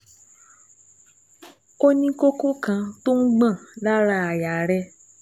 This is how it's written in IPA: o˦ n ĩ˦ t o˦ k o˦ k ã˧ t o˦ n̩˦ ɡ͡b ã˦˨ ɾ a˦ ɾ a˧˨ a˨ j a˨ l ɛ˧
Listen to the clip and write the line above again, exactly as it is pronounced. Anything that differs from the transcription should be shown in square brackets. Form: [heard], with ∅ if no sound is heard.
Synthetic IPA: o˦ n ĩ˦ [k] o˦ k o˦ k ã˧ t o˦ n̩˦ ɡ͡b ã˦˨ [l] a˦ ɾ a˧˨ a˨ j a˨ [ɾ] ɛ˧